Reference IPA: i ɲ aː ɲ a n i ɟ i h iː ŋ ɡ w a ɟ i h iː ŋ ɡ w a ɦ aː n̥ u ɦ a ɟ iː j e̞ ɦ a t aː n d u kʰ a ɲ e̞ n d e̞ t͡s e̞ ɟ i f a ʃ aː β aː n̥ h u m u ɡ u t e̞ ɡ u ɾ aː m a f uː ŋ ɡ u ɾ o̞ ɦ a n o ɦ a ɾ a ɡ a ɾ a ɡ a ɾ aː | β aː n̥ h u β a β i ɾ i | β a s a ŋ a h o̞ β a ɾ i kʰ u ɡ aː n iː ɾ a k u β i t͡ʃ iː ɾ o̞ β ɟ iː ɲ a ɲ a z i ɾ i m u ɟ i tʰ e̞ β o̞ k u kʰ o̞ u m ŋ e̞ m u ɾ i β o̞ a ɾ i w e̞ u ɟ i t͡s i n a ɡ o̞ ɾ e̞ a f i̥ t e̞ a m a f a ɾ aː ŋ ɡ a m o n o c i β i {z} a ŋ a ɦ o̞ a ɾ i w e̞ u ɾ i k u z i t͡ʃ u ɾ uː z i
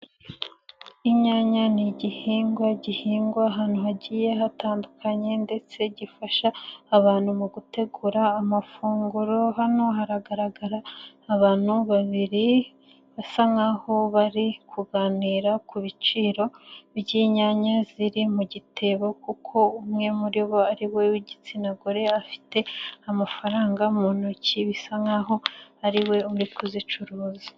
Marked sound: incorrect: s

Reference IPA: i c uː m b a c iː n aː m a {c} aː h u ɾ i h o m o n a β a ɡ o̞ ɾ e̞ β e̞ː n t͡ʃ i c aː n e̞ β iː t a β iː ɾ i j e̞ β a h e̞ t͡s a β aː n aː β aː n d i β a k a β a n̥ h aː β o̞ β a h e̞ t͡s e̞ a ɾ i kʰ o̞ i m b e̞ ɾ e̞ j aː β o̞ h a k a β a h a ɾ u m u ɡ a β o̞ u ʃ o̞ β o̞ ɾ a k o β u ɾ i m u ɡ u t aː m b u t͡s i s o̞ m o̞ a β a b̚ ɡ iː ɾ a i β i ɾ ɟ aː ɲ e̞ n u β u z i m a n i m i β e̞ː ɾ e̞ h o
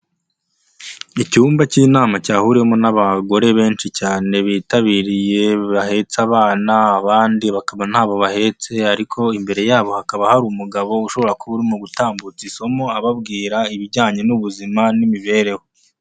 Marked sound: correct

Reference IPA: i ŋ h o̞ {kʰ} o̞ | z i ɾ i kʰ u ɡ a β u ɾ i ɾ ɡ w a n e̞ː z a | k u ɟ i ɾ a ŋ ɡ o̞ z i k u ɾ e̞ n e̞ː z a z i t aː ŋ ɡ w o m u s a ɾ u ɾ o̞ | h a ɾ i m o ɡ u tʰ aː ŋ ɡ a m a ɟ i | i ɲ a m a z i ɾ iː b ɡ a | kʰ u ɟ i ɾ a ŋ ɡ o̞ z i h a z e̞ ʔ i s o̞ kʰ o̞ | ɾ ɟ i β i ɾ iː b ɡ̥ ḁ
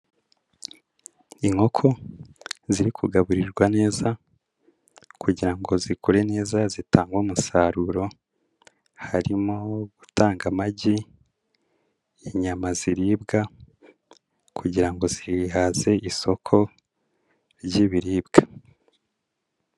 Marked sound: correct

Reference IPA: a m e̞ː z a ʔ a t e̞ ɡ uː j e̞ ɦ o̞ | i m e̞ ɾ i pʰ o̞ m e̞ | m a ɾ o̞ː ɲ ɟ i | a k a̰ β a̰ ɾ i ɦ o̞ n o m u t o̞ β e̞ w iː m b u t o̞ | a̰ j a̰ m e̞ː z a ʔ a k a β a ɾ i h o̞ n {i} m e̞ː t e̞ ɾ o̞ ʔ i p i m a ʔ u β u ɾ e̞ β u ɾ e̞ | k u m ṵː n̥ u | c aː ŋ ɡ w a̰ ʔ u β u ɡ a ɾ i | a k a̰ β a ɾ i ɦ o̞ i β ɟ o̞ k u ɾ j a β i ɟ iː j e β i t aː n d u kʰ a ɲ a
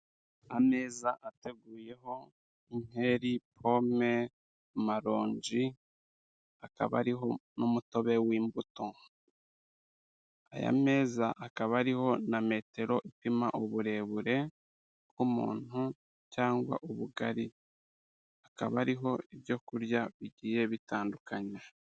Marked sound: incorrect: a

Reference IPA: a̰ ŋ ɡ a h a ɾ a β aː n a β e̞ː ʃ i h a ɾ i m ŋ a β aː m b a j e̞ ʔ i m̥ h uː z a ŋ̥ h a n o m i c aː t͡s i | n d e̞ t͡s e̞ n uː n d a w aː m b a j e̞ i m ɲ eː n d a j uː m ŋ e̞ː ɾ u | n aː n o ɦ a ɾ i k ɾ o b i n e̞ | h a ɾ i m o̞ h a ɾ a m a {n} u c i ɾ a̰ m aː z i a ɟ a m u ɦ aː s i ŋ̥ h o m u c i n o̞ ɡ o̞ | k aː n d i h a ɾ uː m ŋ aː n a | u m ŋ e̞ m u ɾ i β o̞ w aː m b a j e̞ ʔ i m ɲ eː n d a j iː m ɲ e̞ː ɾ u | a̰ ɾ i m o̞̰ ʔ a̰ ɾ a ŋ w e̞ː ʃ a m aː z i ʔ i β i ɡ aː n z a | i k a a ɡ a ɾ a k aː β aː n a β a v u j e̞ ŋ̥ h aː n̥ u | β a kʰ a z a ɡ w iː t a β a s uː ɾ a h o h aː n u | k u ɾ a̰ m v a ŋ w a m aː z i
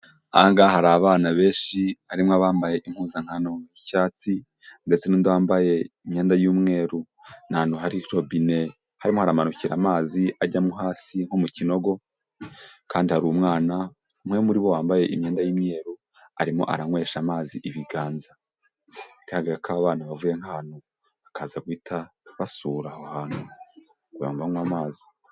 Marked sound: correct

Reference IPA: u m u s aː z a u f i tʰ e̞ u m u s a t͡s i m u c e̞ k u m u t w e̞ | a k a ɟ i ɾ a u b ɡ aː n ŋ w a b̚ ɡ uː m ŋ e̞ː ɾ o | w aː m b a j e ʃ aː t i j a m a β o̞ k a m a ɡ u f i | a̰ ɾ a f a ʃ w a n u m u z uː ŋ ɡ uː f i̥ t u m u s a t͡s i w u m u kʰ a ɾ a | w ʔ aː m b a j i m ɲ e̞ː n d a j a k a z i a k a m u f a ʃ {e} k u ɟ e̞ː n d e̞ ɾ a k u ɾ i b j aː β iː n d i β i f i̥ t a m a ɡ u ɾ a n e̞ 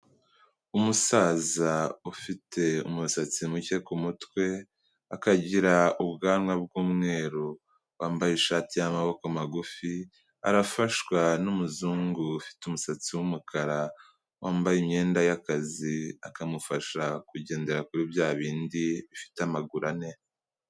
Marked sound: incorrect: a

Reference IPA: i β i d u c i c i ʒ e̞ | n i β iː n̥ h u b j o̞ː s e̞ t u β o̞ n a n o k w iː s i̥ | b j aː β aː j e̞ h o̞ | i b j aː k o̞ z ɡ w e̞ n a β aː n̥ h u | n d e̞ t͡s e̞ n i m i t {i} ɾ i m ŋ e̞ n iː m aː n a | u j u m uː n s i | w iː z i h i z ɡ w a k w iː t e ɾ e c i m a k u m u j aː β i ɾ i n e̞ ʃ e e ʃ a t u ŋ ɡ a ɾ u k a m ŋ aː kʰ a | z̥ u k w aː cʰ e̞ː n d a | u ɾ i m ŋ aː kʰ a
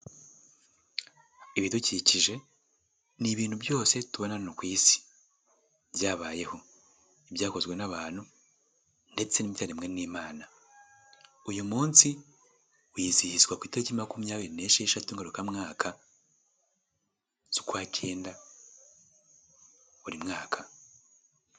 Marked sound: incorrect: a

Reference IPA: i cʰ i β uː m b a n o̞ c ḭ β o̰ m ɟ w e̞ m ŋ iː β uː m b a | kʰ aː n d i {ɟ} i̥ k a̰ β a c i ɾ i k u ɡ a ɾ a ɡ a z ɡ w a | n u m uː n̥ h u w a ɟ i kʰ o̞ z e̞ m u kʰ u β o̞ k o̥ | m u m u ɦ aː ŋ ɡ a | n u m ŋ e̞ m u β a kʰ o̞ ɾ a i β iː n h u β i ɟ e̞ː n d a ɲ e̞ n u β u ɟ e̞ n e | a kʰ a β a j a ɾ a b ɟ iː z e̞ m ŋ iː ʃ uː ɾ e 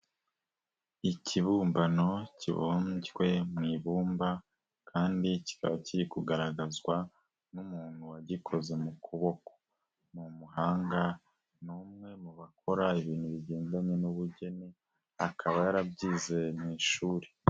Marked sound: incorrect: c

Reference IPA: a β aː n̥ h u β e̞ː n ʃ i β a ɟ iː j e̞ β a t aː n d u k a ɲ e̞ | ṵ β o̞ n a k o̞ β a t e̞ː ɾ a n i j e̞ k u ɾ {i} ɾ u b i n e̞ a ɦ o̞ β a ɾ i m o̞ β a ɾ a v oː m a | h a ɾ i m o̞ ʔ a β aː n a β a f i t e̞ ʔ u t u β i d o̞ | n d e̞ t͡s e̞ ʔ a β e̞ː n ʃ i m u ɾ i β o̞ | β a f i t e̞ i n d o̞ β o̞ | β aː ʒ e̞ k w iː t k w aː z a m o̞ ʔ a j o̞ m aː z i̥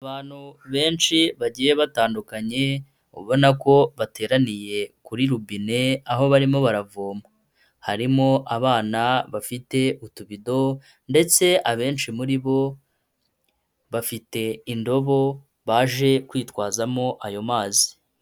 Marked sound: correct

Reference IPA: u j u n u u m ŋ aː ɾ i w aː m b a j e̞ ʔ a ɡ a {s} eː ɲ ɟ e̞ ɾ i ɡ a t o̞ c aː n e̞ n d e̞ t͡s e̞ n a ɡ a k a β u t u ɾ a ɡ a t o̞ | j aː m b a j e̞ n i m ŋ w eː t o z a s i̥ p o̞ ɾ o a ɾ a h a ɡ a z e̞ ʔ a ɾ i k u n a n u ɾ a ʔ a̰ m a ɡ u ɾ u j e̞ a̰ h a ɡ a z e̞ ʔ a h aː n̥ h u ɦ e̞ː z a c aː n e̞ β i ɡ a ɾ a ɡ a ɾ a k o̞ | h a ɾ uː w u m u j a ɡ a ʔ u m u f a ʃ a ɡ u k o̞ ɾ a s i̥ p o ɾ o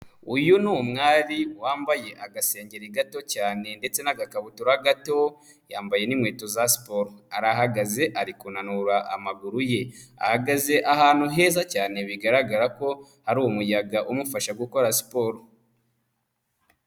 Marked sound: correct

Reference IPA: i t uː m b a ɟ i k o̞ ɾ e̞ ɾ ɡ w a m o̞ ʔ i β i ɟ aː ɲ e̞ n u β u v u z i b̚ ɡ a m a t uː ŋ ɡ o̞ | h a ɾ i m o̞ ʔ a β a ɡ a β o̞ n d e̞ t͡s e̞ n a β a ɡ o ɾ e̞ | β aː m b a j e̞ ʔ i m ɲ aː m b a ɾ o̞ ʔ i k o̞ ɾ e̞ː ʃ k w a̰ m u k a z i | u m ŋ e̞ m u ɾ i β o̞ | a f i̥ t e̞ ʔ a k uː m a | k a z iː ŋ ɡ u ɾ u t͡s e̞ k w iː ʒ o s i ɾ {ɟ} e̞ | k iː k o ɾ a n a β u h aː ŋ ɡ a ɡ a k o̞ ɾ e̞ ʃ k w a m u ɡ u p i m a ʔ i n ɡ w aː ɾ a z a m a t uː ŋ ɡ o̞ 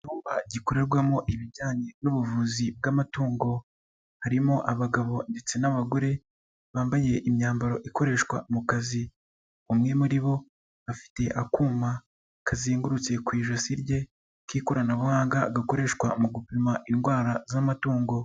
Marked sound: correct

